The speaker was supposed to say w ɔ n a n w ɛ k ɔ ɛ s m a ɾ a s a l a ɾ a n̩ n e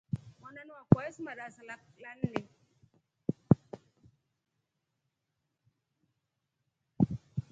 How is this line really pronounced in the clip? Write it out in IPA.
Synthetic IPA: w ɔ n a n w a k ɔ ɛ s m a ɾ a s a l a l a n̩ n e